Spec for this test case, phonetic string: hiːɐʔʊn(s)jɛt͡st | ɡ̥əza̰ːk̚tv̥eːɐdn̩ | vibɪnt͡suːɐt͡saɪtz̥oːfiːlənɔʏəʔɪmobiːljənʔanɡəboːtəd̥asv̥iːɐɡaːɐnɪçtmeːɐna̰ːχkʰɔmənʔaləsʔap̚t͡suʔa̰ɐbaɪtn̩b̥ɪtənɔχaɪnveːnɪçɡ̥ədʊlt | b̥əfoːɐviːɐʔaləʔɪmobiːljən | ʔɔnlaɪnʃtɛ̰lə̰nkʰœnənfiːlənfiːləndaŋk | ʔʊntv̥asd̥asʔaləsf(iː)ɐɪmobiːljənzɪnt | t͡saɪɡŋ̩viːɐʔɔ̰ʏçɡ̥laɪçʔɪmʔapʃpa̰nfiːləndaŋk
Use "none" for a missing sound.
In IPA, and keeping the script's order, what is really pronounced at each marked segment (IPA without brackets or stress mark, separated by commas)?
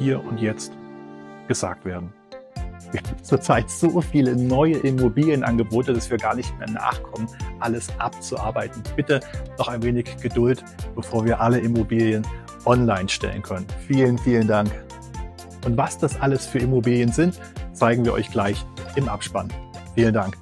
t, yː